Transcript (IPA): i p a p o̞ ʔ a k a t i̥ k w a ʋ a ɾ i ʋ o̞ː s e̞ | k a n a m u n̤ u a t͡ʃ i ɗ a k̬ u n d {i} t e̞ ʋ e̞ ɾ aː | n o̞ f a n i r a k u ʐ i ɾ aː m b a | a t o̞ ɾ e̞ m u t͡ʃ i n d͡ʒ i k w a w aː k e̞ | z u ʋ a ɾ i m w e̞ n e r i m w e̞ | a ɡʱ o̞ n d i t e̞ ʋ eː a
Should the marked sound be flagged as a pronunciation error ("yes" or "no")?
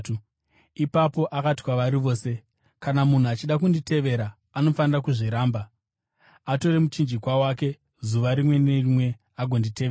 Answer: no